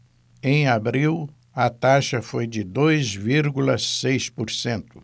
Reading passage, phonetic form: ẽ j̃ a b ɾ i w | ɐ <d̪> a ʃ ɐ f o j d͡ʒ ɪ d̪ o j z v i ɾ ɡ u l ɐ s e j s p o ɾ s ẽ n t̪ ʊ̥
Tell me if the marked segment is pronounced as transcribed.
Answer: no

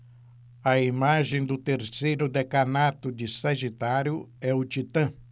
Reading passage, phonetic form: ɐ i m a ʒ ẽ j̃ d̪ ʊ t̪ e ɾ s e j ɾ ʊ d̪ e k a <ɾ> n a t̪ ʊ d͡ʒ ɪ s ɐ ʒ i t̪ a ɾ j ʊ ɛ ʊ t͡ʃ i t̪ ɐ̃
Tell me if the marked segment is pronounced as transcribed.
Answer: no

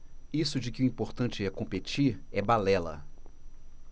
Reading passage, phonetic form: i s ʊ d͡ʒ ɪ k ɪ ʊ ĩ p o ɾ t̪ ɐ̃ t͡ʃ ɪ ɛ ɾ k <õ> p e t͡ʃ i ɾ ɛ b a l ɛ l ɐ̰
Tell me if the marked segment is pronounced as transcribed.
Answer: yes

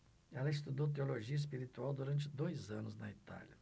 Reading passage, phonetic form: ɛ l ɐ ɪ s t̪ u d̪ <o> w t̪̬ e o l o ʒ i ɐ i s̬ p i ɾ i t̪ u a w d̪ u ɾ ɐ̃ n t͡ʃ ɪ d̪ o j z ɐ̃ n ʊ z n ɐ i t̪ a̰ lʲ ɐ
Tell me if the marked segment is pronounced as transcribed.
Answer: yes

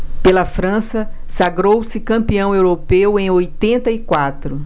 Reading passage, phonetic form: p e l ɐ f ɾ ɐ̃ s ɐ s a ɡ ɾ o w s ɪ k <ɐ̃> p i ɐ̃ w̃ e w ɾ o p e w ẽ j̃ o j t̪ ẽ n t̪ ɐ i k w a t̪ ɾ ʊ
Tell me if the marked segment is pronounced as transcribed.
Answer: yes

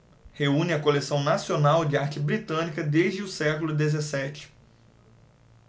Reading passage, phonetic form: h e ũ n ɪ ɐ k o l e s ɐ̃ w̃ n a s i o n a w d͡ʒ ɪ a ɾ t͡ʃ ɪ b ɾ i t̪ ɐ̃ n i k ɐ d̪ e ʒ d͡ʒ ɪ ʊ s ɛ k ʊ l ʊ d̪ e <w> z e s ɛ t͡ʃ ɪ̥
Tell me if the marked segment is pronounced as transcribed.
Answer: no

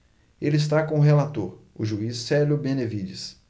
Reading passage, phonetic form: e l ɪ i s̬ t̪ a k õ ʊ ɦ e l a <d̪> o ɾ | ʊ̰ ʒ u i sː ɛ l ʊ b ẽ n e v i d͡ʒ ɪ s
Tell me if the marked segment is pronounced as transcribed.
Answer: no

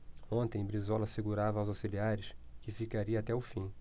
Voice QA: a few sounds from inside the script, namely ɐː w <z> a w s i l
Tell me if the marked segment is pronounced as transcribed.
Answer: yes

